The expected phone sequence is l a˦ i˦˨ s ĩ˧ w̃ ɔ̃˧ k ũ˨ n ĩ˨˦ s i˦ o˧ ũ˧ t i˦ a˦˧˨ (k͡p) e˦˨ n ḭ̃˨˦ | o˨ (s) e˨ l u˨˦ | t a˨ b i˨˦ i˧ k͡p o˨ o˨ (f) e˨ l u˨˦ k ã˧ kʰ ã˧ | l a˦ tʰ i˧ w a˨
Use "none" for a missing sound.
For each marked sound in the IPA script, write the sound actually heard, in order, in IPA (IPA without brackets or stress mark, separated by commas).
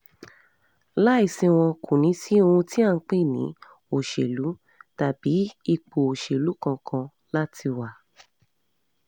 k͡p, ʃ, ʃ